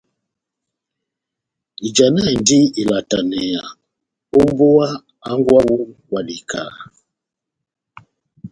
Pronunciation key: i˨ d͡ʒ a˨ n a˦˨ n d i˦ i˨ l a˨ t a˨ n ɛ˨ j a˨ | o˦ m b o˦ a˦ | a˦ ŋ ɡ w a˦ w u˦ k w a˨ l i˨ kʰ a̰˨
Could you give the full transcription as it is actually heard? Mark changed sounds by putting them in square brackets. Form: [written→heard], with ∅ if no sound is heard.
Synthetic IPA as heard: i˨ d͡ʒ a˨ n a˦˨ n d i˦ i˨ l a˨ t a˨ n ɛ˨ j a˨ | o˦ m b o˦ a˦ | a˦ ŋ ɡ w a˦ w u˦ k w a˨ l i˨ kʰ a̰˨